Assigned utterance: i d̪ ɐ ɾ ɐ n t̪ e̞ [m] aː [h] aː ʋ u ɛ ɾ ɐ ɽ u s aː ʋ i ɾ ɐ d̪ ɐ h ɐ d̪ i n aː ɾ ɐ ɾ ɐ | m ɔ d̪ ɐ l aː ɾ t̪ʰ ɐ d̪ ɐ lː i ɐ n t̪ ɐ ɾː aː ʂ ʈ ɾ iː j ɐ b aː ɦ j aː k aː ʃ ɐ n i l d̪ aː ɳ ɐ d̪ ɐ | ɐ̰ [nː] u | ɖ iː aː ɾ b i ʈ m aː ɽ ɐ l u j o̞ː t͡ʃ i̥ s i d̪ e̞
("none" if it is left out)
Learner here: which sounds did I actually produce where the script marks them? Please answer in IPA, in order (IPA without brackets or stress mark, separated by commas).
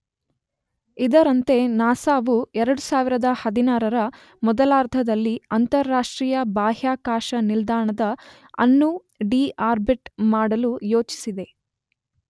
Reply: n, s, nː